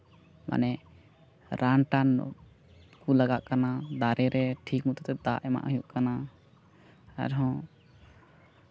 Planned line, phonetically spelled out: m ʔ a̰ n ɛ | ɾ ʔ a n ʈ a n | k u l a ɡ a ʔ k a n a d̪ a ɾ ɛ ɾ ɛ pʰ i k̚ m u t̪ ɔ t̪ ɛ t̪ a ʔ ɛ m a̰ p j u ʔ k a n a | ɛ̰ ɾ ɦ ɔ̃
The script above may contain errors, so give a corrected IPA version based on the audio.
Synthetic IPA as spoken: m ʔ a̰ n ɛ | ɾ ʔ a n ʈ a n | k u l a ɡ a ʔ k a n a d̪ a ɾ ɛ ɾ ɛ ʈʰ i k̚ m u t̪ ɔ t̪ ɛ d̪ a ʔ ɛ m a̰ ʔ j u ʔ k a n a | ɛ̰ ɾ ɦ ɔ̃